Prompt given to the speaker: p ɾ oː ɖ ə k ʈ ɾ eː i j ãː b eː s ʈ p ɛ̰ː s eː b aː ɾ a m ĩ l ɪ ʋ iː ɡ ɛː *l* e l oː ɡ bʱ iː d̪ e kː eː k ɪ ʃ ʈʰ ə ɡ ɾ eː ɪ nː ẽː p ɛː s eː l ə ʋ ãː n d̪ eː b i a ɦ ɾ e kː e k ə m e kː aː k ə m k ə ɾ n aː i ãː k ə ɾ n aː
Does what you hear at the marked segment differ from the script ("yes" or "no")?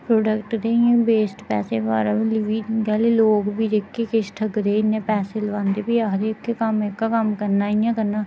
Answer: no